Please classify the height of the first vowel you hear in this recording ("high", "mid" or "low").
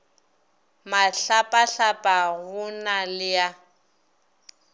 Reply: low